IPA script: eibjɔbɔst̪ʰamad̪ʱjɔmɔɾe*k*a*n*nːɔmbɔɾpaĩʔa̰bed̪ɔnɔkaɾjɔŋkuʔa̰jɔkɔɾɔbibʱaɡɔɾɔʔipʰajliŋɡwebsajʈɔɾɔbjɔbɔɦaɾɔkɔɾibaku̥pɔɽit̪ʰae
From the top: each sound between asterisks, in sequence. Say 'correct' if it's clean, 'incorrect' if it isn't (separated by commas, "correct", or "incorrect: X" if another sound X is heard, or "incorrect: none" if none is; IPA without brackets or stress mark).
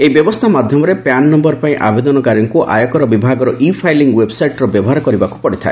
incorrect: p, correct